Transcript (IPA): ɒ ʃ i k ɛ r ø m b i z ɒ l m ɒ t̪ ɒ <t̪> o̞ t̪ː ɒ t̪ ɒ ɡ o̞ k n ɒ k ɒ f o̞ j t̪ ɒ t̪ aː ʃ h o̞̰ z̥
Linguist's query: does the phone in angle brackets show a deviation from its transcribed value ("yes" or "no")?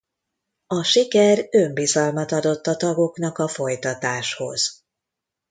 yes